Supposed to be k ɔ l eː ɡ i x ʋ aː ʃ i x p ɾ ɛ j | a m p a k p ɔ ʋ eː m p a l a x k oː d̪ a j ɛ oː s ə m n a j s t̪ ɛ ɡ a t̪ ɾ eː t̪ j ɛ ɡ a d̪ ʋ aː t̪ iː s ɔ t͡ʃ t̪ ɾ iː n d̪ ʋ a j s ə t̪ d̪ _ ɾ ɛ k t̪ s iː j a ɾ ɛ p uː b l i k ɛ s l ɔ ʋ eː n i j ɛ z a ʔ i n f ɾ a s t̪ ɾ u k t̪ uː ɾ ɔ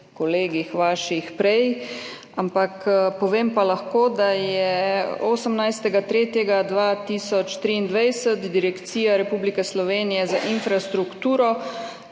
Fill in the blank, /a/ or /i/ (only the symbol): i